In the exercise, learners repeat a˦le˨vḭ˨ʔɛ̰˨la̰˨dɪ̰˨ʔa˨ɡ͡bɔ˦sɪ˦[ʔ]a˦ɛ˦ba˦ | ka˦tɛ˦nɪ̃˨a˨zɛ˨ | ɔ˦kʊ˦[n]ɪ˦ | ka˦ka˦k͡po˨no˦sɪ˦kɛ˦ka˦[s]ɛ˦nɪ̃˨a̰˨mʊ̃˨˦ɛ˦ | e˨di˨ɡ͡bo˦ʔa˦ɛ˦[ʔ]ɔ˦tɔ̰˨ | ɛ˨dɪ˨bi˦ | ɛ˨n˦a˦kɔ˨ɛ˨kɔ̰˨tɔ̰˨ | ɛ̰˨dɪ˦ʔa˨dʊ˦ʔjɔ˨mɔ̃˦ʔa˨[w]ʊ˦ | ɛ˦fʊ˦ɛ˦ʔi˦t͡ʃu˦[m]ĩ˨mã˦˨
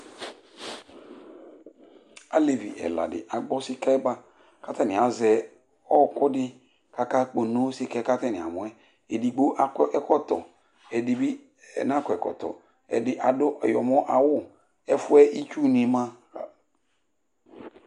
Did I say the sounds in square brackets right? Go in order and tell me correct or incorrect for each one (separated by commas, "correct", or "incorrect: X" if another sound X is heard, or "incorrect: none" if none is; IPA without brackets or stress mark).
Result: incorrect: k, incorrect: d, incorrect: t, incorrect: k, correct, incorrect: n